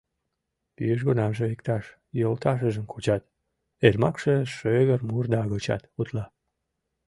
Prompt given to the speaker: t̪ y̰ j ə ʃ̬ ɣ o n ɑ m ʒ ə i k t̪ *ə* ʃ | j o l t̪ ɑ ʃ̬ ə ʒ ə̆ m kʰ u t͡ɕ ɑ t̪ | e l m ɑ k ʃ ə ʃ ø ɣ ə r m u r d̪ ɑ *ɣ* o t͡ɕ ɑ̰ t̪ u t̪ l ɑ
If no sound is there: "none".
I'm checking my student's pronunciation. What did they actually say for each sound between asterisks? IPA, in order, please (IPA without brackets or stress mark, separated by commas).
ɑ, ɣ